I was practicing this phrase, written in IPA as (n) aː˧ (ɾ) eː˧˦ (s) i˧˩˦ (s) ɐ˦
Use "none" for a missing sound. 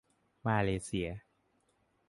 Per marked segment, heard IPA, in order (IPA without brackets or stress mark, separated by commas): m, l, s, none